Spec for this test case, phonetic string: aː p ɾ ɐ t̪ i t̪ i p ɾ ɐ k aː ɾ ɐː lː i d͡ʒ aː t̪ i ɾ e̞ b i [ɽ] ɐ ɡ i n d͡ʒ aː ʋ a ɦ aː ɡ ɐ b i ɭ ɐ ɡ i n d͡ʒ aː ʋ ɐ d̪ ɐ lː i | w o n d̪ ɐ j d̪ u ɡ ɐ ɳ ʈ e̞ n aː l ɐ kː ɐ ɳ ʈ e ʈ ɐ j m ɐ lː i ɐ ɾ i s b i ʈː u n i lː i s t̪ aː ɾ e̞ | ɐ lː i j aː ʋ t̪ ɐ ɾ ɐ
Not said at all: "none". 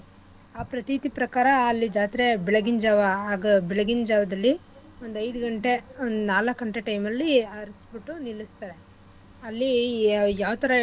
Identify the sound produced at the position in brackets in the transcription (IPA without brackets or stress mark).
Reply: ɭ